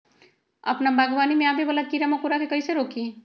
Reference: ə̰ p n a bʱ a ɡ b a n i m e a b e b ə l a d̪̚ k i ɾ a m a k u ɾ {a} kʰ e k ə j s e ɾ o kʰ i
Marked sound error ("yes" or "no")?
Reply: no